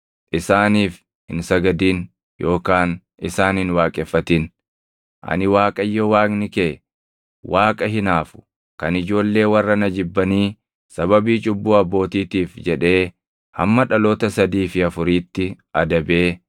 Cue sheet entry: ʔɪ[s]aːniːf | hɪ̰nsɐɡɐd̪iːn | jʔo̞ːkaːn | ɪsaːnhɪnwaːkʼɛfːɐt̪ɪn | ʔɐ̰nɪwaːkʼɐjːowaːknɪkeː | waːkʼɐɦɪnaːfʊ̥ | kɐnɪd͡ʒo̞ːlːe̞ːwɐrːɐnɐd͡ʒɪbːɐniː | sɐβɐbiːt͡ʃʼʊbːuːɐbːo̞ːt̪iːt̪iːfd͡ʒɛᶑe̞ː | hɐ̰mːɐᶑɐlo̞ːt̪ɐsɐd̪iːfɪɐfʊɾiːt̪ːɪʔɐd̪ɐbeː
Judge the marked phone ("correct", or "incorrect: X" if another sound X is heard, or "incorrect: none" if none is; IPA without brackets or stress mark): correct